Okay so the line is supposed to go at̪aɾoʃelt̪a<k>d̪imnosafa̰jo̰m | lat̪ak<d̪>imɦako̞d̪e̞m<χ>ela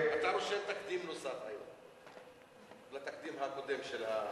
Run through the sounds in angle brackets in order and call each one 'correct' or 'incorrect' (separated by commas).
correct, correct, incorrect